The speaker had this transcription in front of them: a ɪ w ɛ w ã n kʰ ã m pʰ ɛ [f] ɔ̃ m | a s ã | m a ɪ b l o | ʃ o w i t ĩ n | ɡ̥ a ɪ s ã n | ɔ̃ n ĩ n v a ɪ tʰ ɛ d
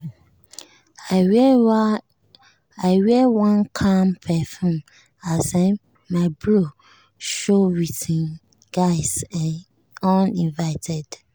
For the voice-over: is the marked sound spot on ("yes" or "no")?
yes